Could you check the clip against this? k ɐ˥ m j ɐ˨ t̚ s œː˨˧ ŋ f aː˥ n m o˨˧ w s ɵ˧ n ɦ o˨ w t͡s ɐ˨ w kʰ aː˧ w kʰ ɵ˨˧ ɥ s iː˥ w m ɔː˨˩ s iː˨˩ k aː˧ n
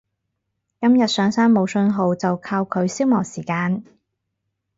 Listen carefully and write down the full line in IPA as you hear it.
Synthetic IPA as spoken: k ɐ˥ m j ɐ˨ t̚ s œː˨˧ ŋ s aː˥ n m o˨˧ w s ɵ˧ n ɦ o˨ w t͡s ɐ˨ w kʰ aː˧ w kʰ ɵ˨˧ ɥ s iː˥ w m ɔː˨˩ s iː˨˩ k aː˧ n